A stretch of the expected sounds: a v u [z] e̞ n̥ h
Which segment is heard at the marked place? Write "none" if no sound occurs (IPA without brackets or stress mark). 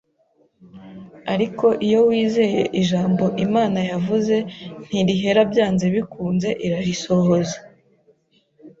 z